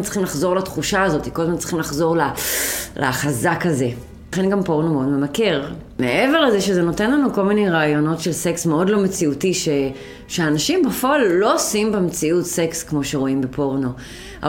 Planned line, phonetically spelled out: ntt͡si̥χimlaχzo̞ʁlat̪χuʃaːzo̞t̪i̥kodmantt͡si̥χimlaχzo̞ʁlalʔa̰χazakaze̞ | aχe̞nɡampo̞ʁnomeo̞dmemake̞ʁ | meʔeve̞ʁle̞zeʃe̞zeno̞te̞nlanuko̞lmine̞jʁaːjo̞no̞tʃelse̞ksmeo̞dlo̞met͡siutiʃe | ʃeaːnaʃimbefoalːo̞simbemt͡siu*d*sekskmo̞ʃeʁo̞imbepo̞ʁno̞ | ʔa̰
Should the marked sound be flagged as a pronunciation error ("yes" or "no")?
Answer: yes